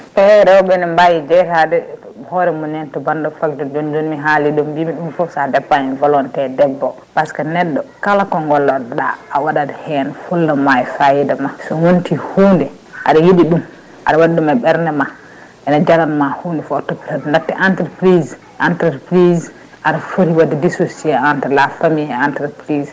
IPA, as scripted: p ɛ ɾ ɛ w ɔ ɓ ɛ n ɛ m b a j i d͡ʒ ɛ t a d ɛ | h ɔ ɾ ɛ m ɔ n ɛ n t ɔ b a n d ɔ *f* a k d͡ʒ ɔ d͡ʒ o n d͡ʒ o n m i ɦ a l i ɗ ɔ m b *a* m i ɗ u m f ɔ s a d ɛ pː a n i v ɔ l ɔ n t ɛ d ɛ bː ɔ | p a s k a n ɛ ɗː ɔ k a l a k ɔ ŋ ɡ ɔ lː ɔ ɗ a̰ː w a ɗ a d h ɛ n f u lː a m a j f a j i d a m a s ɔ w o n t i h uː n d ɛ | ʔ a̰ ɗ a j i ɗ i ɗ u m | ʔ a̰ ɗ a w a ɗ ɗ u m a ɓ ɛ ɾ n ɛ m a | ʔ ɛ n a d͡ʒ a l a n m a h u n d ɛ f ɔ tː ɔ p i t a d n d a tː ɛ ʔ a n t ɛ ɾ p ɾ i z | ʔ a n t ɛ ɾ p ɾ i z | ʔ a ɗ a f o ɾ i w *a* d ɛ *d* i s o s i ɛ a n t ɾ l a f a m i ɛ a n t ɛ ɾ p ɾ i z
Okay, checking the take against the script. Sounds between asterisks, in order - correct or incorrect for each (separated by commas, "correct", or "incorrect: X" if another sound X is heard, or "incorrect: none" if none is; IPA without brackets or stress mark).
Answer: correct, incorrect: i, correct, correct